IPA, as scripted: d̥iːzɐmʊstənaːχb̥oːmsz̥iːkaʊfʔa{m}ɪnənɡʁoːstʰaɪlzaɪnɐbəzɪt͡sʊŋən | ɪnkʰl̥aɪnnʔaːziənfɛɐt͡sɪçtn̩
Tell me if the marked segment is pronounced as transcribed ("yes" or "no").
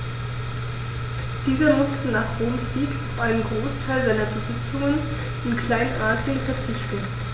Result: no